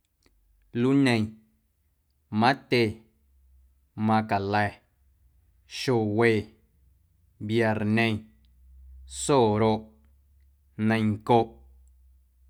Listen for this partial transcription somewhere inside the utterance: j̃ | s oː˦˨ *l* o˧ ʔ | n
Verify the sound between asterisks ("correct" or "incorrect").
incorrect